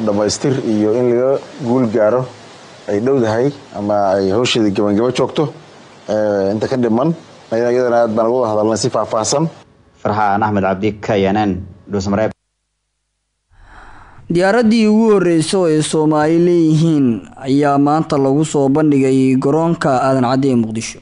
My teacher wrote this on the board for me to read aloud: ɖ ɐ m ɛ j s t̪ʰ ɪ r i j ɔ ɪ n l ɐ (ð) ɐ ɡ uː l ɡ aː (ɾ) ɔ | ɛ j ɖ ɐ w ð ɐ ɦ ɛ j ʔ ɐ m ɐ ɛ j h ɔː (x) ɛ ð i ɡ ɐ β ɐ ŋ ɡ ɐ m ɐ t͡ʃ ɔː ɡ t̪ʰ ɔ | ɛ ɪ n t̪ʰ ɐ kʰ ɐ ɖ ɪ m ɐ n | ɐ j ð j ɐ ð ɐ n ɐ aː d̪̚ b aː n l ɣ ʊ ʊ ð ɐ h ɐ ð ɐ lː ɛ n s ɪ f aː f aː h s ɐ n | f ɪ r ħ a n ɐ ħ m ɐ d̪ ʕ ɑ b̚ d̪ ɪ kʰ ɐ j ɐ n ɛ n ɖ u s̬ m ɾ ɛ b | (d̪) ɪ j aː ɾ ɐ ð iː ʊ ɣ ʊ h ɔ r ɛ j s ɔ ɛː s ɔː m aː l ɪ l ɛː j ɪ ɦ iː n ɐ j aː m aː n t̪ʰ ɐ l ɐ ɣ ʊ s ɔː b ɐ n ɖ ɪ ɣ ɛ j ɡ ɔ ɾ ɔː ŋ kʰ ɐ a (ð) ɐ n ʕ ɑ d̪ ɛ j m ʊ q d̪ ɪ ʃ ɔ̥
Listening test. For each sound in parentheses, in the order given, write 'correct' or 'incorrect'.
incorrect: ɣ, correct, incorrect: ʃ, correct, correct

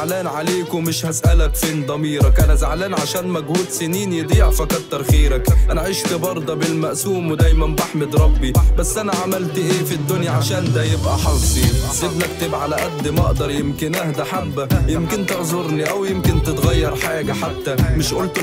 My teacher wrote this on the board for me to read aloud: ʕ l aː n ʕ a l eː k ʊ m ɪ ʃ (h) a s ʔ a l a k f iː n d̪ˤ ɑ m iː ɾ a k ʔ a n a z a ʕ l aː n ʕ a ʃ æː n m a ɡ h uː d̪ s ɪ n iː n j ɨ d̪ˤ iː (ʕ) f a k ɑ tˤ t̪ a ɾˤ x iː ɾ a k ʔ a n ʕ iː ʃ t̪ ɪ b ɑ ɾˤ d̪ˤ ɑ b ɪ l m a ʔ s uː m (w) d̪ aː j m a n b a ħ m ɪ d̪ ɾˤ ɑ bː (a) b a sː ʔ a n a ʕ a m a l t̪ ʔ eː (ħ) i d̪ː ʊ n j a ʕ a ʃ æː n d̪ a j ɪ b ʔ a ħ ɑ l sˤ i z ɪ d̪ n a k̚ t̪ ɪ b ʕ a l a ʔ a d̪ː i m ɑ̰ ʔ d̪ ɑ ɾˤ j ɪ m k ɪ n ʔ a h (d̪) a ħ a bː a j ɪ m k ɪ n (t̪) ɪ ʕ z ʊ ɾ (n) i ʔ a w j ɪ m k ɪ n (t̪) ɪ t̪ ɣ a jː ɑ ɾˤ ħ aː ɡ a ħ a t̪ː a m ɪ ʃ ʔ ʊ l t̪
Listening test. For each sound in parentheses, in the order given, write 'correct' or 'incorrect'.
correct, correct, correct, incorrect: i, incorrect: f, correct, correct, correct, correct

